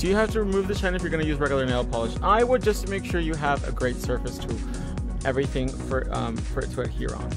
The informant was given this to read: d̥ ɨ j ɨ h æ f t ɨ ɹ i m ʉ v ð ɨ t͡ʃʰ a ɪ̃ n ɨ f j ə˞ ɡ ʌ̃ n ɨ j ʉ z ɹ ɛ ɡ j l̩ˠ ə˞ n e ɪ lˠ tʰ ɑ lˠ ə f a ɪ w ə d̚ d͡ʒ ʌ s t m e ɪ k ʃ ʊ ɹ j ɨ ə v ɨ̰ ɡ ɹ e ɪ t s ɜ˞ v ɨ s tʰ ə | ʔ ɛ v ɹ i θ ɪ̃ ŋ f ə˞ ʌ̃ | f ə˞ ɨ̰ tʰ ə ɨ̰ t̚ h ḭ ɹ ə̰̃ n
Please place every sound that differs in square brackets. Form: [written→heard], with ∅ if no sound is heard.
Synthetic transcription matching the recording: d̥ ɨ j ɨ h æ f t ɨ ɹ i m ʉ v ð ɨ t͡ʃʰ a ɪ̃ n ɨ f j ə˞ ɡ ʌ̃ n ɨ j ʉ z ɹ ɛ ɡ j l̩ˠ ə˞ n e ɪ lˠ [tʰ→pʰ] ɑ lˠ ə [f→ʃ] a ɪ w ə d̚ d͡ʒ ʌ s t m e ɪ k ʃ ʊ ɹ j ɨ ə v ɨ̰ ɡ ɹ e ɪ t s ɜ˞ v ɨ s tʰ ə | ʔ ɛ v ɹ i θ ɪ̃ ŋ f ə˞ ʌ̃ | f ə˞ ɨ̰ tʰ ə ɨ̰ t̚ h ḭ ɹ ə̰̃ n

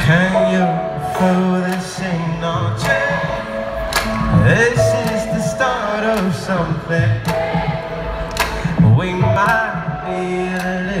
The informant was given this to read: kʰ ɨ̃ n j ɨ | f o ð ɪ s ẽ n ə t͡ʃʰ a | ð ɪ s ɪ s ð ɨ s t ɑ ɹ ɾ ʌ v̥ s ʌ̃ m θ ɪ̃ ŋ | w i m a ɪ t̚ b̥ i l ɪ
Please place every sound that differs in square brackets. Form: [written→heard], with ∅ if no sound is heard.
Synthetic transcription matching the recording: kʰ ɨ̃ n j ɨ | f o ð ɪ s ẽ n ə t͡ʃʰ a | ð ɪ s ɪ [s→z] ð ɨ s t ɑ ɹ ɾ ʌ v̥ s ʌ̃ m θ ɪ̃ ŋ | w i m a ɪ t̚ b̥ i l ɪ

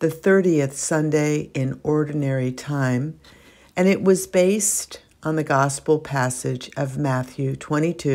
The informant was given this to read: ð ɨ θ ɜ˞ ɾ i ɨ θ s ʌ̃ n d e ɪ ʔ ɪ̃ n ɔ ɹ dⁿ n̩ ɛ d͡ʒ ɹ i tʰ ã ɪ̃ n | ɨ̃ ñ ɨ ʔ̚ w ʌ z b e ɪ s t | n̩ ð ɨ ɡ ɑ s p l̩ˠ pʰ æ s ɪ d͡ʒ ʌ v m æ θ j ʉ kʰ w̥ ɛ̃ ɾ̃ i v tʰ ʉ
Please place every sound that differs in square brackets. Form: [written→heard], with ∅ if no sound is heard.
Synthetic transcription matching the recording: ð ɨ θ ɜ˞ ɾ i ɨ θ s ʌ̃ n d e ɪ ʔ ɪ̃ n ɔ ɹ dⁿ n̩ ɛ [d͡ʒ→∅] ɹ i tʰ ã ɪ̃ [n→m] | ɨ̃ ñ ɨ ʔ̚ w ʌ z b e ɪ s t | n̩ ð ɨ ɡ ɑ s p l̩ˠ pʰ æ s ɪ d͡ʒ ʌ v m æ θ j ʉ [kʰ→tʰ] w̥ ɛ̃ ɾ̃ i [v→∅] tʰ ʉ

